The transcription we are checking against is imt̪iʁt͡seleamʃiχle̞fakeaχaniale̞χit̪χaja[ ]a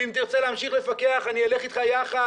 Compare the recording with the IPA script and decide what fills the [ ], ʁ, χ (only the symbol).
χ